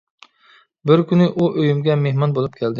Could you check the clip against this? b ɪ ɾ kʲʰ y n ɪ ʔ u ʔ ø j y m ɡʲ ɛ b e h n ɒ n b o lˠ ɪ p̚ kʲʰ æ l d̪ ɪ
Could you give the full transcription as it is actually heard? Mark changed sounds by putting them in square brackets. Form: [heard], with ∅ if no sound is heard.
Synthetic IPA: b ɪ ɾ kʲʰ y n ɪ ʔ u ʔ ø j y m ɡʲ ɛ [m] e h [m] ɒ n b o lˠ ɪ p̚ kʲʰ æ l d̪ ɪ